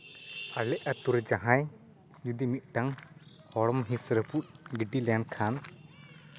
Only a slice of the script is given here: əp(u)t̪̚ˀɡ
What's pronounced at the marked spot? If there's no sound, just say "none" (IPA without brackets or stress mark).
u